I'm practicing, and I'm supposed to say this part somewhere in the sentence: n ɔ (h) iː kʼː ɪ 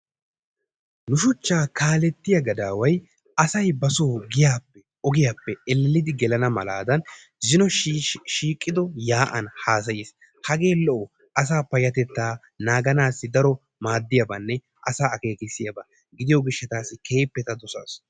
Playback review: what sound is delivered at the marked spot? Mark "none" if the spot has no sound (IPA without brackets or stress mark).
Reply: ʃ